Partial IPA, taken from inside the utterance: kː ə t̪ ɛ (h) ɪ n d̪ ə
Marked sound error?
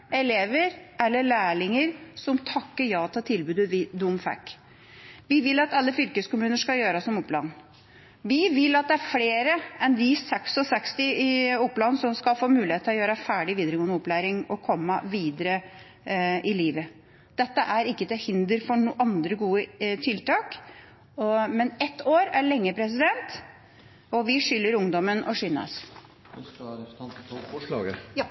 no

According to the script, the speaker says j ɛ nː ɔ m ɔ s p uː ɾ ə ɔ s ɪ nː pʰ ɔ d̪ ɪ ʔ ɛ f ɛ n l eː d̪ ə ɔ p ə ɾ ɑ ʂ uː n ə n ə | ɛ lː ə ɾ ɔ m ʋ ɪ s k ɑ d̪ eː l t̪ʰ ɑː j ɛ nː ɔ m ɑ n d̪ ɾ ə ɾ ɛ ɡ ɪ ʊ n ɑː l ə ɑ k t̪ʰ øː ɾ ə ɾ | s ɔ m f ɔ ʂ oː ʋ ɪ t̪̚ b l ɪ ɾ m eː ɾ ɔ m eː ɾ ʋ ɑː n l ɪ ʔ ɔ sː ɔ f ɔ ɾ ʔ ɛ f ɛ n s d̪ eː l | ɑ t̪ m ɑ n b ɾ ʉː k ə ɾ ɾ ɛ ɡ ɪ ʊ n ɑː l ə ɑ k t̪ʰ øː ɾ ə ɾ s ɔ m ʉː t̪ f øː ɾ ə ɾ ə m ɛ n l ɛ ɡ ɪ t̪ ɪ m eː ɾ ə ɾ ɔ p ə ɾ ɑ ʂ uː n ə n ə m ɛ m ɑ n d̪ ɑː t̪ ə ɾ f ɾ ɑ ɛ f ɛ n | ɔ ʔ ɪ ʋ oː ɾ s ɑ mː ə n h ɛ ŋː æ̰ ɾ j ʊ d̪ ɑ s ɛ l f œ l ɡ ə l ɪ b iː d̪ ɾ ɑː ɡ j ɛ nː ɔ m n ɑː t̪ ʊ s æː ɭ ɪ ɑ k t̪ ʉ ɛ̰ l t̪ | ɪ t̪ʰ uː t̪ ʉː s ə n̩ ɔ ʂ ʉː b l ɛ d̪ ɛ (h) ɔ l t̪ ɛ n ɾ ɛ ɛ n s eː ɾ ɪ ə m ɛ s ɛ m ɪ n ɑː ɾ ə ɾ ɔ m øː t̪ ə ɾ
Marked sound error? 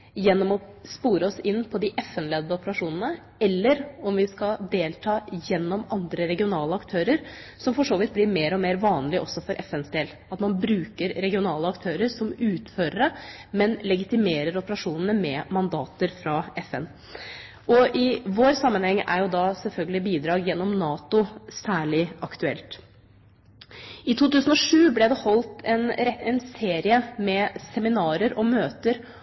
no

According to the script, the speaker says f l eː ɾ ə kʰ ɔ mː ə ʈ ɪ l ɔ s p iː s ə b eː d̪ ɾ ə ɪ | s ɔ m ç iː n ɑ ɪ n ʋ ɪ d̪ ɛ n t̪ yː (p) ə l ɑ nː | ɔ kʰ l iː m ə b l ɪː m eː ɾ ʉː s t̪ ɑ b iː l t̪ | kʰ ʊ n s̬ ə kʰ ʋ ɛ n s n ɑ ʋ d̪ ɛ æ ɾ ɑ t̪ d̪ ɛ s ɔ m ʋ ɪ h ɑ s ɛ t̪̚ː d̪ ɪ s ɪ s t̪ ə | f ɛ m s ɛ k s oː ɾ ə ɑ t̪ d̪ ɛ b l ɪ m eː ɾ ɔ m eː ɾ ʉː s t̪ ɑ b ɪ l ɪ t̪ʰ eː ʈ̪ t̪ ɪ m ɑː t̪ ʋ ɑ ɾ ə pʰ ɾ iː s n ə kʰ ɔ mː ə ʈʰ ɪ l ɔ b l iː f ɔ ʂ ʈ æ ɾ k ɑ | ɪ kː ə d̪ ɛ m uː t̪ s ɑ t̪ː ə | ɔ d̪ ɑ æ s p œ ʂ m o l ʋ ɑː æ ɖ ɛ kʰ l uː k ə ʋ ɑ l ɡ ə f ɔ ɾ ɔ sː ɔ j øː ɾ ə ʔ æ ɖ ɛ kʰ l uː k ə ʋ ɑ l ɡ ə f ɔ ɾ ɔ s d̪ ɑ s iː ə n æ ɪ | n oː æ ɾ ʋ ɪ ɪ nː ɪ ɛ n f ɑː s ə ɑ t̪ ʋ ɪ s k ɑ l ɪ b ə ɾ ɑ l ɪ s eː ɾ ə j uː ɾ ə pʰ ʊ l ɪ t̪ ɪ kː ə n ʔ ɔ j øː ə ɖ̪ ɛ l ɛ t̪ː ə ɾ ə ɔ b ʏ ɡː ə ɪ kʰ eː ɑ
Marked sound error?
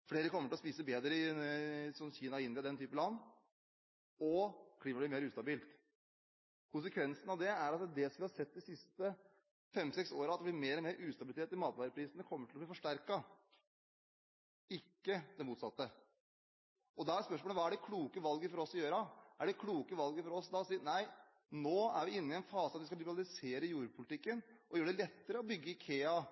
no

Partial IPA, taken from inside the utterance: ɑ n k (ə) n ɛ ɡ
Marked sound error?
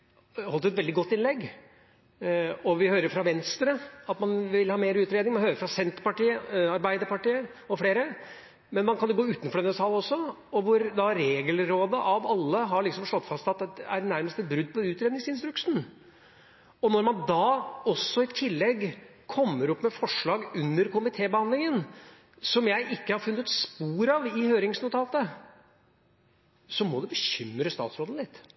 yes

